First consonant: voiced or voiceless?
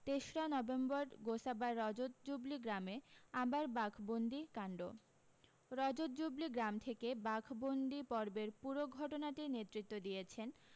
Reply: voiceless